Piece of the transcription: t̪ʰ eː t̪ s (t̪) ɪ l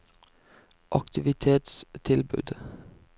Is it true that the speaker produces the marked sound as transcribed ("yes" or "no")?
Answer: no